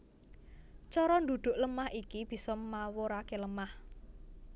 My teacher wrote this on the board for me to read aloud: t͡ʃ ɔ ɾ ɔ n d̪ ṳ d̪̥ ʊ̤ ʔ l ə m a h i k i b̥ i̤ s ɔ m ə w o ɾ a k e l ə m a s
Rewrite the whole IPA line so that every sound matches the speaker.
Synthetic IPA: t͡ʃ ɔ ɾ ɔ n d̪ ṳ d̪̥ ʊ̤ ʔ l ə m a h i k i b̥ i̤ s ɔ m a w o ɾ a k e l ə m a h